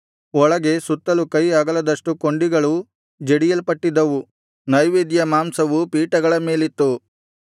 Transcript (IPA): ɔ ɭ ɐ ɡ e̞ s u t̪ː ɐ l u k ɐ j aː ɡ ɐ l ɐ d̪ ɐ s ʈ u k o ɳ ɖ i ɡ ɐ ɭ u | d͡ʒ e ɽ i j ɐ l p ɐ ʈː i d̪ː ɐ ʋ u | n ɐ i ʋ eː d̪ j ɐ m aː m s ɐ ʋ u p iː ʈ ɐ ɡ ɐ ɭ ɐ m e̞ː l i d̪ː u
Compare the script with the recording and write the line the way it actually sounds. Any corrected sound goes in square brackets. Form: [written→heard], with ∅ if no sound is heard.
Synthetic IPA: ɔ ɭ ɐ ɡ e̞ s u t̪ː ɐ l u k ɐ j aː ɡ ɐ l ɐ d̪ ɐ [s→ʂ] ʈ u k o ɳ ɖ i ɡ ɐ ɭ u | d͡ʒ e ɽ i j ɐ l p ɐ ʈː i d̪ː ɐ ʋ u | n ɐ [i→j] ʋ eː d̪ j ɐ m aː m s ɐ ʋ u p iː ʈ ɐ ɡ ɐ ɭ ɐ m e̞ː l i [d̪ː→t̪ː] u